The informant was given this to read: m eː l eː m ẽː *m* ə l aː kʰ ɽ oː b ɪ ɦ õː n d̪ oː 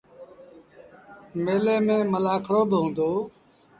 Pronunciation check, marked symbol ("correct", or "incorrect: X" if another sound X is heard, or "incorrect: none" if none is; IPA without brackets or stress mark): correct